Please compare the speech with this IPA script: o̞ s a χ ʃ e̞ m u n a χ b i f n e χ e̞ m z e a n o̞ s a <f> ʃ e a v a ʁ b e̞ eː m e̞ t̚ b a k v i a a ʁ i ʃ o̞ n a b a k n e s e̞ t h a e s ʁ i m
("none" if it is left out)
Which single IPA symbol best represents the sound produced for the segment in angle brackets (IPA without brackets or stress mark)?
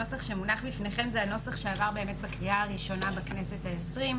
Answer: χ